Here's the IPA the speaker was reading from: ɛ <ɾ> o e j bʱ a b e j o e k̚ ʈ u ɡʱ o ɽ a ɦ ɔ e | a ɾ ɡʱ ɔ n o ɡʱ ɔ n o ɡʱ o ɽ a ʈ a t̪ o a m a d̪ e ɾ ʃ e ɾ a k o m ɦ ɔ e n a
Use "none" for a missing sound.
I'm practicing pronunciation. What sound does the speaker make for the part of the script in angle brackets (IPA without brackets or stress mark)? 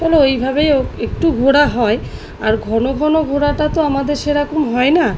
l